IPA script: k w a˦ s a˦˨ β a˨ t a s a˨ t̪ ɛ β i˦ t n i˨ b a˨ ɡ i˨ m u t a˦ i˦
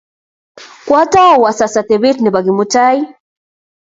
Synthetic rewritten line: k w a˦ t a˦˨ w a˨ s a s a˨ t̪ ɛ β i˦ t n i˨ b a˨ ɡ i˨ m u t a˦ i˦